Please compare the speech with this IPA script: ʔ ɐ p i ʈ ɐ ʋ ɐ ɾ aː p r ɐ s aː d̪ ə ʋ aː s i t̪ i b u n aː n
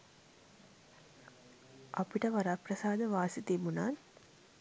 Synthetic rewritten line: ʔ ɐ p i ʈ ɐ ʋ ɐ ɾ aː p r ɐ s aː d̪ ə ʋ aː s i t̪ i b u n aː n